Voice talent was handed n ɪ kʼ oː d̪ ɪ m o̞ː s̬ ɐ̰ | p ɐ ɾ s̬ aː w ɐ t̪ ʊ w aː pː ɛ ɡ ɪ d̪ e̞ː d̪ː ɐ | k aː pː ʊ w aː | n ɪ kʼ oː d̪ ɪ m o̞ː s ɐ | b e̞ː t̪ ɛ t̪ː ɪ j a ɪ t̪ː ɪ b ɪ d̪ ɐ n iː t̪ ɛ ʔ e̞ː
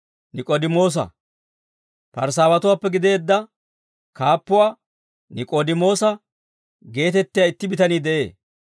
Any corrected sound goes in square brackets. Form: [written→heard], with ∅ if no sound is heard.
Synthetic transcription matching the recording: n ɪ kʼ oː d̪ ɪ m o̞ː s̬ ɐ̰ | p ɐ ɾ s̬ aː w ɐ t̪ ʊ w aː pː ɛ ɡ ɪ d̪ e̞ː d̪ː ɐ | k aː pː ʊ w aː | n ɪ kʼ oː d̪ ɪ m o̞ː s ɐ | [b→ɡ] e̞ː t̪ ɛ t̪ː ɪ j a ɪ t̪ː ɪ b ɪ [d̪→t̪] ɐ n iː [t̪→d̪] ɛ ʔ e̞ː

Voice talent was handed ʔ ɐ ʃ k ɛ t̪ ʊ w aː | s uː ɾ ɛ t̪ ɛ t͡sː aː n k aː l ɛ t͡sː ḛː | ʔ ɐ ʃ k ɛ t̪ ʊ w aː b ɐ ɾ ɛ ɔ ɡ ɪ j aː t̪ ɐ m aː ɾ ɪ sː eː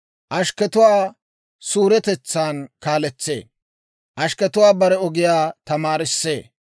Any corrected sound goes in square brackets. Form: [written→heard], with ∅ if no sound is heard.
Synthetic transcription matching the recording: ʔ ɐ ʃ k ɛ t̪ ʊ w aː | s uː ɾ ɛ t̪ ɛ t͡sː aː n k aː l ɛ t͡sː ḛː | ʔ ɐ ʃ k ɛ t̪ ʊ w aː b ɐ ɾ ɛ ɔ ɡ ɪ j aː t̪ ɐ m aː ɾ ɪ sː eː

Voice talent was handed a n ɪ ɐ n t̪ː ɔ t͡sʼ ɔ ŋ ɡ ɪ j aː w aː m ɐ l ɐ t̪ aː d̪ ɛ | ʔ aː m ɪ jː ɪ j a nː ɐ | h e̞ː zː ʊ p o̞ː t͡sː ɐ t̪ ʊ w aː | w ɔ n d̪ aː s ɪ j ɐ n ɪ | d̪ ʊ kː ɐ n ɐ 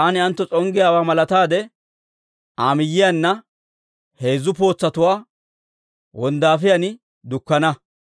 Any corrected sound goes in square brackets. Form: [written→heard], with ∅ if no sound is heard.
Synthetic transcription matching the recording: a n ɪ ɐ n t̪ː ɔ t͡sʼ ɔ ŋ ɡ ɪ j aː w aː m ɐ l ɐ t̪ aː d̪ ɛ | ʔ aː m ɪ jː ɪ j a nː ɐ | h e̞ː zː ʊ p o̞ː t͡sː ɐ t̪ ʊ w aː | w ɔ n d̪ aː [s→f] ɪ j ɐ n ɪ | d̪ ʊ kː ɐ n ɐ

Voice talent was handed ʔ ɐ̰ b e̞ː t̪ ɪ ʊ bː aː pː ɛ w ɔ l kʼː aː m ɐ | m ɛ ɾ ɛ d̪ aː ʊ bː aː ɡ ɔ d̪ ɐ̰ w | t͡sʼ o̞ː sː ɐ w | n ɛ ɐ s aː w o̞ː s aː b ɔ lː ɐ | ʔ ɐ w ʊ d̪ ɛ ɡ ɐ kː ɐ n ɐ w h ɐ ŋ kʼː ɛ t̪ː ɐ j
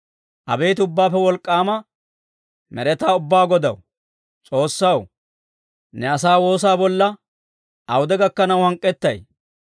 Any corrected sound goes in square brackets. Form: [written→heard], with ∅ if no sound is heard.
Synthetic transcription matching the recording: ʔ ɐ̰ b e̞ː t̪ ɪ ʊ bː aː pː ɛ w ɔ l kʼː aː m ɐ | m ɛ ɾ ɛ [d̪→t̪] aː ʊ bː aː ɡ ɔ d̪ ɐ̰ w | t͡sʼ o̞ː sː ɐ w | n ɛ ɐ s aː w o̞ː s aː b ɔ lː ɐ | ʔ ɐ w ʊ d̪ ɛ ɡ ɐ kː ɐ n ɐ w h ɐ ŋ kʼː ɛ t̪ː ɐ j

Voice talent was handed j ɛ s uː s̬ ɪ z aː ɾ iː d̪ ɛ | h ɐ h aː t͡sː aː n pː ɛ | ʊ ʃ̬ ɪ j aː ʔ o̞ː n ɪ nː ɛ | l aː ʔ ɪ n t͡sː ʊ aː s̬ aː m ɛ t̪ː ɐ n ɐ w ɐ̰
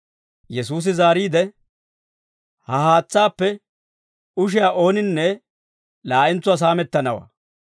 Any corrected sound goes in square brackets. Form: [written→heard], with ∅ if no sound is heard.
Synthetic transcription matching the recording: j ɛ s uː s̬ ɪ z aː ɾ iː d̪ ɛ | h ɐ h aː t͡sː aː [n→∅] pː ɛ | ʊ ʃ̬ ɪ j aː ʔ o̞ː n ɪ nː ɛ | l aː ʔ ɪ n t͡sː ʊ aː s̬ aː m ɛ t̪ː ɐ n ɐ w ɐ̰

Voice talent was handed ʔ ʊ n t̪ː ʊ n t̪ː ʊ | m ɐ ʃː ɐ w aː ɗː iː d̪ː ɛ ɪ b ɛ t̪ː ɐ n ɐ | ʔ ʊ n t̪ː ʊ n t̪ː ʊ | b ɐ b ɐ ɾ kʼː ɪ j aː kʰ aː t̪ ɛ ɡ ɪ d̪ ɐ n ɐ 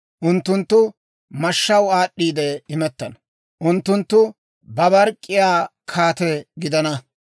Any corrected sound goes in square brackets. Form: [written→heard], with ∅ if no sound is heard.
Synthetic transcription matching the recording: ʔ ʊ n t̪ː ʊ n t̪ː ʊ | m ɐ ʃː ɐ w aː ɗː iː [d̪ː→d̪] ɛ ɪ [b→m] ɛ t̪ː ɐ n ɐ | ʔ ʊ n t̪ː ʊ n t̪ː ʊ | b ɐ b ɐ ɾ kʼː ɪ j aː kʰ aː t̪ ɛ ɡ ɪ d̪ ɐ n ɐ

